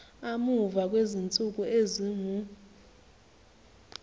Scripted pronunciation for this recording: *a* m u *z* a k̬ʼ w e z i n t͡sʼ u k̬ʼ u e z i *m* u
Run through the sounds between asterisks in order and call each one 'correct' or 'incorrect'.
correct, incorrect: v, incorrect: ŋ

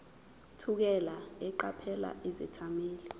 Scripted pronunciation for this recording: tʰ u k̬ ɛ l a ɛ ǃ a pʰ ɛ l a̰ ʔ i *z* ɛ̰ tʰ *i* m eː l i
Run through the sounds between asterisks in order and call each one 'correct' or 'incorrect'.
correct, incorrect: a

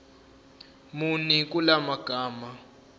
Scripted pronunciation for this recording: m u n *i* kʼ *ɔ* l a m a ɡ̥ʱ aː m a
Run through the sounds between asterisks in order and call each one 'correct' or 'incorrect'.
correct, incorrect: u

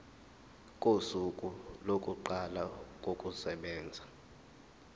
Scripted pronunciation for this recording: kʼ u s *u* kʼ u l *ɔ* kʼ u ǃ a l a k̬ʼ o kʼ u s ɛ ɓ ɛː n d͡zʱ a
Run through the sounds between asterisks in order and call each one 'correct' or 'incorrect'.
correct, incorrect: o

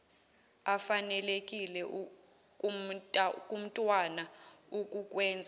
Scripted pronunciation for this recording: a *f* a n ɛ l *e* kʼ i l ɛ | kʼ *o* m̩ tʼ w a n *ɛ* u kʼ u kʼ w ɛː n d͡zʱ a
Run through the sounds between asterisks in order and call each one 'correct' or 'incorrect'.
correct, correct, incorrect: u, incorrect: a

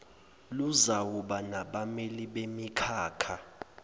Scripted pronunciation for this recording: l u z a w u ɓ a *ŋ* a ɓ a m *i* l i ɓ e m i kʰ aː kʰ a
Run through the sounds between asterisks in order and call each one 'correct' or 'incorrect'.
incorrect: n, incorrect: e

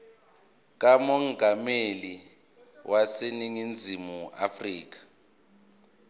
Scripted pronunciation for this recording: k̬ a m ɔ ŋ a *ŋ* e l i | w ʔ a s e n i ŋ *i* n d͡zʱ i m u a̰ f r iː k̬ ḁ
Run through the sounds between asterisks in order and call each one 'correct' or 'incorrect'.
incorrect: m, correct

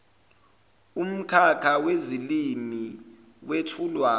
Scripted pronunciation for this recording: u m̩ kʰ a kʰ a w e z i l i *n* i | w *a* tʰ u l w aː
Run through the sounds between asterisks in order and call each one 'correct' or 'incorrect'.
incorrect: m, incorrect: e

